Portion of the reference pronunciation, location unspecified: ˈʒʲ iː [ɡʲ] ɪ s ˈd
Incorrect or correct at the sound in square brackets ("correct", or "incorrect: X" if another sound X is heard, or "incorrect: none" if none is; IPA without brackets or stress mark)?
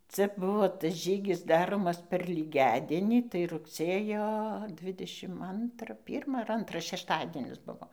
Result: correct